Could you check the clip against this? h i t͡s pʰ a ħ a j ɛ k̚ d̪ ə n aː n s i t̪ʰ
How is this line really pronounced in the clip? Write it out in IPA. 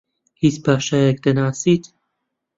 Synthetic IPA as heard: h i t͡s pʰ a ʃ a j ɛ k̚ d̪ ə n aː s i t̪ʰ